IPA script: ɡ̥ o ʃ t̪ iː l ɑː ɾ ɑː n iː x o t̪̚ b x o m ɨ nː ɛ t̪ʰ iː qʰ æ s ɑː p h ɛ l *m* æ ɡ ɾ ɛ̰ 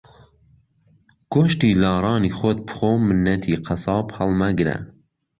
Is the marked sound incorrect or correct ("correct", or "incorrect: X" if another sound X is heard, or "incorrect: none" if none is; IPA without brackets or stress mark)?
correct